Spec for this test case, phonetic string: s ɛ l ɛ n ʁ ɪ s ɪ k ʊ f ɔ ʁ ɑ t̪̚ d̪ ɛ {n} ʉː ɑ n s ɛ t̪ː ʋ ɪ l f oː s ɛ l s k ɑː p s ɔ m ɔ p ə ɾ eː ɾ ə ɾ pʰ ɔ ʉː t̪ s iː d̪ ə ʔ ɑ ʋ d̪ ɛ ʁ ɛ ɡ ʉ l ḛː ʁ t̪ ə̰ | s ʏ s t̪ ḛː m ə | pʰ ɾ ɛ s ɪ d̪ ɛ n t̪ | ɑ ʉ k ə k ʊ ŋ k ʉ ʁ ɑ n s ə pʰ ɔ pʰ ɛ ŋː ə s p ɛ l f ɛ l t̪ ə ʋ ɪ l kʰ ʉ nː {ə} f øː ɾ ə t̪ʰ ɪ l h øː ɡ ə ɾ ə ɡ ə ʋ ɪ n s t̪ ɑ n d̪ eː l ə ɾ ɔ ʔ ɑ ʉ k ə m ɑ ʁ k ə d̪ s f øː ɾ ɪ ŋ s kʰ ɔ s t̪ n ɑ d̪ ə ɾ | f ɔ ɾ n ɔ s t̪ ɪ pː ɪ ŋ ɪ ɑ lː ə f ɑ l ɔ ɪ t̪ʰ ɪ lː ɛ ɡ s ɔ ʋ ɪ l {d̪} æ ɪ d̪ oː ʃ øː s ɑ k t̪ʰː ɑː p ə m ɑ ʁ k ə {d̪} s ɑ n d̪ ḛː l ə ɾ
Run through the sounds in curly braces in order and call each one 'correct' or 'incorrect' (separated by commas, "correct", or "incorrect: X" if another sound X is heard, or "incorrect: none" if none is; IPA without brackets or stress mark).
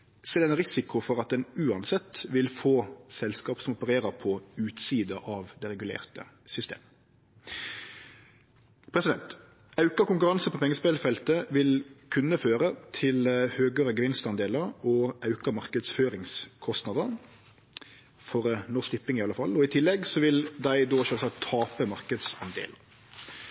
correct, correct, correct, correct